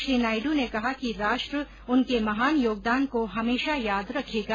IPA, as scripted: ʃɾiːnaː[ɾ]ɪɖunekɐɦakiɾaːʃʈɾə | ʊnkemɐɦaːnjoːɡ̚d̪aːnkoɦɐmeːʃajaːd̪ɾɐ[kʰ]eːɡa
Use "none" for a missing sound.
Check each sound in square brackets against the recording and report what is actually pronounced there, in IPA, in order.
none, kʰ

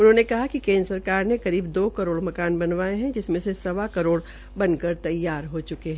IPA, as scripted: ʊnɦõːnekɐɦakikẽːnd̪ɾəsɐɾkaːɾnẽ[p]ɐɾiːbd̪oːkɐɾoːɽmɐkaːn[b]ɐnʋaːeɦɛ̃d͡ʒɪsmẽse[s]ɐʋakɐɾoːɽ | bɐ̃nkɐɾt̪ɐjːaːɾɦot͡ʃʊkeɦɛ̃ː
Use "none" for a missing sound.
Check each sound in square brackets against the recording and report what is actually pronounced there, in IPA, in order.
k, b, s

